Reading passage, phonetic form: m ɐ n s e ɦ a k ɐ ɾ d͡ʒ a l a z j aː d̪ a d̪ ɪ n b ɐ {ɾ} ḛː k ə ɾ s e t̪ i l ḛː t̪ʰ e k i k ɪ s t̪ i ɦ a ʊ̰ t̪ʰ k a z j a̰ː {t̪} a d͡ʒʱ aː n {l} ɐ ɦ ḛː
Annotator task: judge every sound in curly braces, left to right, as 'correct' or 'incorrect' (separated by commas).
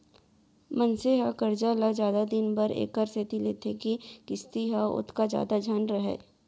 correct, incorrect, incorrect